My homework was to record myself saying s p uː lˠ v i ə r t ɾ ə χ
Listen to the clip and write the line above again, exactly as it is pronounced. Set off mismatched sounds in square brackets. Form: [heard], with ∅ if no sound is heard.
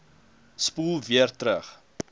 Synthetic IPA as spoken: s p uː lˠ v i ə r t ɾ ə χ